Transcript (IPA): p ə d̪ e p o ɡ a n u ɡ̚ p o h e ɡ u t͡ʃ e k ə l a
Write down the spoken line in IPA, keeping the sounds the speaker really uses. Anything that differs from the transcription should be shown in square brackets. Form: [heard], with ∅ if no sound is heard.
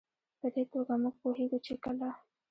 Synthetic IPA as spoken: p ə d̪ e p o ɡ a [m] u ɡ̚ p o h e ɡ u t͡ʃ e k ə l a